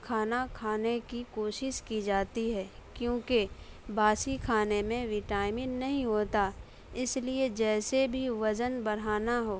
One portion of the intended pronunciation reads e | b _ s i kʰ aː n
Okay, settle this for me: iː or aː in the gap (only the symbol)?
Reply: aː